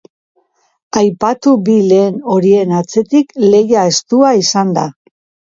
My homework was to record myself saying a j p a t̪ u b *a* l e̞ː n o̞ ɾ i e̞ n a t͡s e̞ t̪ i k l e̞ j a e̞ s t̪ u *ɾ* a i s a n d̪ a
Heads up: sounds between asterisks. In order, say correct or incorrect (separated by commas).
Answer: incorrect, incorrect